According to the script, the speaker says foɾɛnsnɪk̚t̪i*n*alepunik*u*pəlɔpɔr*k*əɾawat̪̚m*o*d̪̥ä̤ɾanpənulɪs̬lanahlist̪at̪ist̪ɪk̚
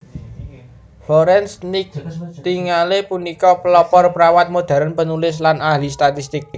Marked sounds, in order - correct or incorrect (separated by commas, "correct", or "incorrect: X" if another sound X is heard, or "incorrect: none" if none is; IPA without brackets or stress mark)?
incorrect: ŋ, incorrect: ɔ, incorrect: p, correct